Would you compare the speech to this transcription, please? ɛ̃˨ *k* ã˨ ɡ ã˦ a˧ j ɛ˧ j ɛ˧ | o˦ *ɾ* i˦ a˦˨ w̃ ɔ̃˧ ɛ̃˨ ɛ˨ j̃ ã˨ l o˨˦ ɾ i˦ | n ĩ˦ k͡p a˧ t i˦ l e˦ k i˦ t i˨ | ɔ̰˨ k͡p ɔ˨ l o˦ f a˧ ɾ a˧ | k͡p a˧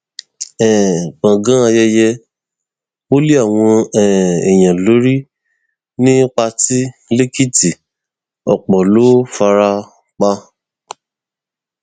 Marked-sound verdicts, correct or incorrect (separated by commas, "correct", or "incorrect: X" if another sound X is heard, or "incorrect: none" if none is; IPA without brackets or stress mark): incorrect: k͡p, incorrect: l